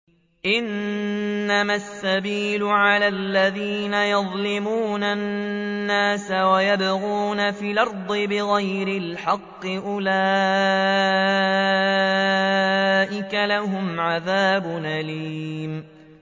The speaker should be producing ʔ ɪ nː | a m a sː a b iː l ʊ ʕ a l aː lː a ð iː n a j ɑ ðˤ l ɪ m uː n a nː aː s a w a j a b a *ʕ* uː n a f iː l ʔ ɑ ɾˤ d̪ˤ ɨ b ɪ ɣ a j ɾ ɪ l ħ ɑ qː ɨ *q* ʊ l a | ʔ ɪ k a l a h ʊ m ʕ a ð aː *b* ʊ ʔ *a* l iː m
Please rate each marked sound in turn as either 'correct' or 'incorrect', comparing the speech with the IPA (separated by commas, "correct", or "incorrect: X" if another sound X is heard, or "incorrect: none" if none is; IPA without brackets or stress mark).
incorrect: ɣ, incorrect: ʔ, correct, correct